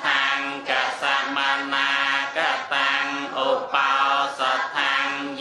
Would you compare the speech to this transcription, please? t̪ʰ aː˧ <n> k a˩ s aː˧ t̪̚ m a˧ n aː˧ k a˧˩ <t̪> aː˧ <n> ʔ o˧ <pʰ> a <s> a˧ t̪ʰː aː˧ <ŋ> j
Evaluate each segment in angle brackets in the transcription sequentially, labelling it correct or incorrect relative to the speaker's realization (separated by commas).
incorrect, correct, incorrect, incorrect, correct, correct